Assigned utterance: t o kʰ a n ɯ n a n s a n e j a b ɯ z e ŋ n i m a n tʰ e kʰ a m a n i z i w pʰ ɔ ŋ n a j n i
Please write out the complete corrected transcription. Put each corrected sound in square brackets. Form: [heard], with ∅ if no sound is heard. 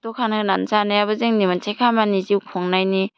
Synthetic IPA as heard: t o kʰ a n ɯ n a n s a n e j a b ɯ z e ŋ n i m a n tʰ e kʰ a m a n i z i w [kʰ] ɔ ŋ n a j n i

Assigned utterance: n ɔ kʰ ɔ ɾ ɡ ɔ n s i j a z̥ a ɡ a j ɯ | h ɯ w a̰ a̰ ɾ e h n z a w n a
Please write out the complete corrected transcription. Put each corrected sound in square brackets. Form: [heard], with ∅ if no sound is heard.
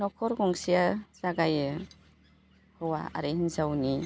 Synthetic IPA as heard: n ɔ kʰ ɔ ɾ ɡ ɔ [ŋ] s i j a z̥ a ɡ a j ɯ | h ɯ w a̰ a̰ ɾ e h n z a w n [i]

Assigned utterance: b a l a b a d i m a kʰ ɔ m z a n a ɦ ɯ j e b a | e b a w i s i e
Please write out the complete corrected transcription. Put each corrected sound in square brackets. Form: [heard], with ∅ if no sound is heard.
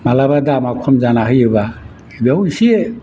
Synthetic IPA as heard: [m] a l a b a d [a] m a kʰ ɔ m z a n a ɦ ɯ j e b a | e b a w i s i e

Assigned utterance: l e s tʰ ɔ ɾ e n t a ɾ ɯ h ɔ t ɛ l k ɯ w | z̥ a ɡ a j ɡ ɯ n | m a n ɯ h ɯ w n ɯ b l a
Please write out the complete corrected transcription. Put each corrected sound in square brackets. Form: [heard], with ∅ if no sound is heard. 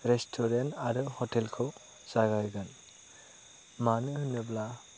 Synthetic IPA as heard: [ɾ] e s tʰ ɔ ɾ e n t a ɾ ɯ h ɔ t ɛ l [kʰ] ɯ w | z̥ a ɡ a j ɡ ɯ n | m a n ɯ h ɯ [∅] n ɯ b l a

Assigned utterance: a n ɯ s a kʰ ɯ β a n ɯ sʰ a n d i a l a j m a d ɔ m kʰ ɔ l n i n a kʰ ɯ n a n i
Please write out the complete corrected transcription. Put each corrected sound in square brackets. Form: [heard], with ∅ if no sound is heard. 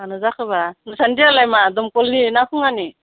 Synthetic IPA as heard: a n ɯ [z] a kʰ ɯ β a n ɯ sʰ a n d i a l a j m a d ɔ m [k] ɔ l n i n a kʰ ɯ [ŋ] a n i

